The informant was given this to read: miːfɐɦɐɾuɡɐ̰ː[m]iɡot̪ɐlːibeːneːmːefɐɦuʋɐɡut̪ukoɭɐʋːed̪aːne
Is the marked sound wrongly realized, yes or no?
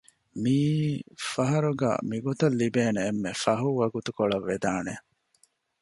no